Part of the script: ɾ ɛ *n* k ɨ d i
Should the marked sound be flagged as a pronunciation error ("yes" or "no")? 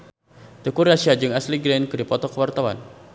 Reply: no